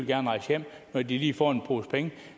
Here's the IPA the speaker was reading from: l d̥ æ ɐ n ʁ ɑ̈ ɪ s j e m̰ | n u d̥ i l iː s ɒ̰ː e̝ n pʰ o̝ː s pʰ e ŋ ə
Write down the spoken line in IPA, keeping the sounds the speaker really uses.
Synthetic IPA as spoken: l ɡ̥ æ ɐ n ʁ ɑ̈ ɪ s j e m̰ | n ɒ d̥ i l iː f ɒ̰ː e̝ n pʰ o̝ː s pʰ e ŋ ə